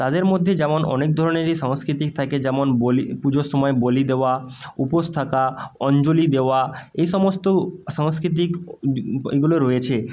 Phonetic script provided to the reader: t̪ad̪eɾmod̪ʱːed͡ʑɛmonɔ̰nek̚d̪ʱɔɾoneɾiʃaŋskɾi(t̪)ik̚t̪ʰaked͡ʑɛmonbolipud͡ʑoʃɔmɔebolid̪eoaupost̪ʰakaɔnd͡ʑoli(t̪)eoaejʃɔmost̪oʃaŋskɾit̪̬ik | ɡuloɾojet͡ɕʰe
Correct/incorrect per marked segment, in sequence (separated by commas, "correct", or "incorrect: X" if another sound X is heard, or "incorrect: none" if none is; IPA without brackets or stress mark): correct, incorrect: d̪